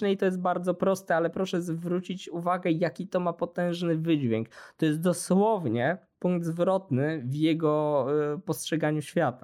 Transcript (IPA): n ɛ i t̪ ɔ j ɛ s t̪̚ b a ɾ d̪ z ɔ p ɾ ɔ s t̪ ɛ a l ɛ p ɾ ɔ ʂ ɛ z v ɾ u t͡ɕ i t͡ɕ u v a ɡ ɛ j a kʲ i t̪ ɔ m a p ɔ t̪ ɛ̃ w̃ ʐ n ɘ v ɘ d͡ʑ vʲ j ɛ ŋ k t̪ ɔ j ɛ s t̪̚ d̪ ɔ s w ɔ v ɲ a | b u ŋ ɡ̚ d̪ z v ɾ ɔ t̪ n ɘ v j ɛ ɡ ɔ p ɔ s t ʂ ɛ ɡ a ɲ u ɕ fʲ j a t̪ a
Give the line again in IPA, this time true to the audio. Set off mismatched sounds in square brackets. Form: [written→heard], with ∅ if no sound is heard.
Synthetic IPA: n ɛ i t̪ ɔ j ɛ s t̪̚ b a ɾ d̪ z ɔ p ɾ ɔ s t̪ ɛ a l ɛ p ɾ ɔ ʂ ɛ z v ɾ u t͡ɕ i t͡ɕ u v a ɡ ɛ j a kʲ i t̪ ɔ m a p ɔ t̪ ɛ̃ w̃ ʐ n ɘ v ɘ d͡ʑ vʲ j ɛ ŋ k t̪ ɔ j ɛ s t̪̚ d̪ ɔ s w ɔ v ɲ [a→ɛ] | [b→p] u ŋ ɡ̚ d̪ z v ɾ ɔ t̪ n ɘ v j ɛ ɡ ɔ p ɔ s t ʂ ɛ ɡ a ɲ u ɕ fʲ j a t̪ a